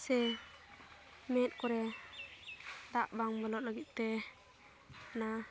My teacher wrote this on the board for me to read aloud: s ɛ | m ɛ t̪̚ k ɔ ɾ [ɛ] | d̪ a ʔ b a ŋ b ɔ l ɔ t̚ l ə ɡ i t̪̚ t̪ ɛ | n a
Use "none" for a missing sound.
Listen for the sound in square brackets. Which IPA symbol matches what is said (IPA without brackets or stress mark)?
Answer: ɛ